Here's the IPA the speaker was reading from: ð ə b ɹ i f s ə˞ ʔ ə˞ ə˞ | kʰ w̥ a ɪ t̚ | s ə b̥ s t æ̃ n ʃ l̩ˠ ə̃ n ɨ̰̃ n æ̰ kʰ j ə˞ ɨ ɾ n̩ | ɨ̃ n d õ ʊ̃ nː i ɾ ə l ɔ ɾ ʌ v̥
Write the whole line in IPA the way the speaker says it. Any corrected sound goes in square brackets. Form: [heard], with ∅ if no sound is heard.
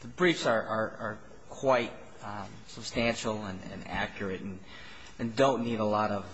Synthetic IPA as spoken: ð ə b ɹ i f s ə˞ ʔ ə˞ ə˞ | kʰ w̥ a ɪ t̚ | s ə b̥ s t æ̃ n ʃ l̩ˠ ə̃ n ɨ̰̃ n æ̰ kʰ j ə˞ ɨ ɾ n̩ | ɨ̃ n d õ ʊ̃ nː i ɾ ə l ɔ ɾ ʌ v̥